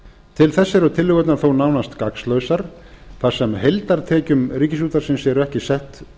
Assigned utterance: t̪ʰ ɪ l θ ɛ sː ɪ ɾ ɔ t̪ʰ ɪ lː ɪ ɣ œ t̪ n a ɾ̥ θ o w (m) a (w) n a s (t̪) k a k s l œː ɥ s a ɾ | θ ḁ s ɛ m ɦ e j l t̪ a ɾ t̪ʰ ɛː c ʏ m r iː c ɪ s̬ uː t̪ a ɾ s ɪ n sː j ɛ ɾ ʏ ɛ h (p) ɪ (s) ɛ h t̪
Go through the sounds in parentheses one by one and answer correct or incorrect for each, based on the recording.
incorrect, correct, correct, incorrect, correct

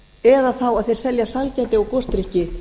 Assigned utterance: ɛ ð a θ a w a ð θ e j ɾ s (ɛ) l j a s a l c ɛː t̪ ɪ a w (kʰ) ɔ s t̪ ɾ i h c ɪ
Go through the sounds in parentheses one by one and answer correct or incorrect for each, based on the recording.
correct, incorrect

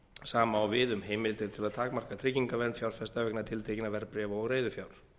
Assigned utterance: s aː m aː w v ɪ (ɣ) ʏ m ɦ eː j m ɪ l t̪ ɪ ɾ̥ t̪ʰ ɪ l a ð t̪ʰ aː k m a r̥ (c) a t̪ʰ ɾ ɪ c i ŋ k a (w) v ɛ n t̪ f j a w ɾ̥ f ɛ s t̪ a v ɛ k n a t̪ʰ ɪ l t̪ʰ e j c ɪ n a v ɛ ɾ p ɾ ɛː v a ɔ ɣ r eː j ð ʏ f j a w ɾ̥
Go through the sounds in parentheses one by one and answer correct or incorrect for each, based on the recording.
incorrect, incorrect, incorrect

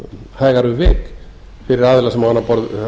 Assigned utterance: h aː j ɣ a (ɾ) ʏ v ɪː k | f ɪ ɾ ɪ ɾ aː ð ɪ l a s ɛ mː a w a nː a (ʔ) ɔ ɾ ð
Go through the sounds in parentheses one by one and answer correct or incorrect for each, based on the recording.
correct, incorrect

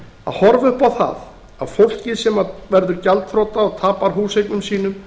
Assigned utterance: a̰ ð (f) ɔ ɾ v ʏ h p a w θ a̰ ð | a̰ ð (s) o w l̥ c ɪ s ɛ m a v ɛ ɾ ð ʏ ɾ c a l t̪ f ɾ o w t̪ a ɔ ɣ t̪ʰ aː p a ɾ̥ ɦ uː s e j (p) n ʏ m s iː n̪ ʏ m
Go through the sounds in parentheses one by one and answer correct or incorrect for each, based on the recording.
incorrect, incorrect, incorrect

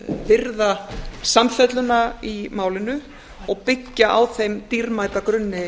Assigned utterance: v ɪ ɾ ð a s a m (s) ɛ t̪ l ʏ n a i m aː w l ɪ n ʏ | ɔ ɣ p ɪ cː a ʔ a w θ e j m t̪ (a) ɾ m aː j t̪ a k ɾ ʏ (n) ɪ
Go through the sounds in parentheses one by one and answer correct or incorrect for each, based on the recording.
incorrect, incorrect, incorrect

